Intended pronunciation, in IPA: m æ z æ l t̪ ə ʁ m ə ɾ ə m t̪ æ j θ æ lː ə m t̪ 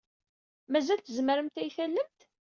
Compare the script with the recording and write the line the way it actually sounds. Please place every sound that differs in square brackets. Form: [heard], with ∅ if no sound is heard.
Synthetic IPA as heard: m æ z æ l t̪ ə [z] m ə ɾ ə m t̪ æ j θ æ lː ə m t̪